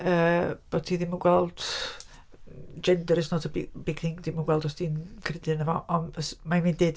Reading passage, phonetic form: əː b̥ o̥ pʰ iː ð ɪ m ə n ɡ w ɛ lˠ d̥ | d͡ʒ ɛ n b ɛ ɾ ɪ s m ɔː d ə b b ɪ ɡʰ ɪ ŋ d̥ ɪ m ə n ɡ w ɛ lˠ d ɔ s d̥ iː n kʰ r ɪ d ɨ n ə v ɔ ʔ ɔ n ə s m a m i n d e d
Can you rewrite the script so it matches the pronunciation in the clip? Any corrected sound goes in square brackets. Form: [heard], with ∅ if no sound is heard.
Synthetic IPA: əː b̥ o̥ [tʰ] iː ð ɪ m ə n ɡ w ɛ lˠ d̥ | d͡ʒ ɛ n [d] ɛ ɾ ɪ s [n] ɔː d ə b b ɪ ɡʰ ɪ ŋ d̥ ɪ m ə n ɡ w ɛ lˠ d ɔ s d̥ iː n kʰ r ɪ d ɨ n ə v ɔ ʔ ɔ n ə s m a m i n d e d